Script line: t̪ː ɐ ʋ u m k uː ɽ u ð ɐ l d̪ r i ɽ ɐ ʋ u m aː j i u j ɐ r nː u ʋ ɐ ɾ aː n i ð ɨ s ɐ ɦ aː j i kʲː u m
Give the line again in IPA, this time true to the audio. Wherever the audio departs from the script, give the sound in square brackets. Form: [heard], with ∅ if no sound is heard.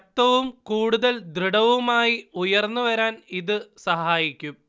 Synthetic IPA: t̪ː ɐ ʋ u m k uː ɽ u ð ɐ l d̪ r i ɽ ɐ ʋ u m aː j i u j ɐ r nː u ʋ ɐ ɾ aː n i ð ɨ s ɐ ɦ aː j i kʲː u m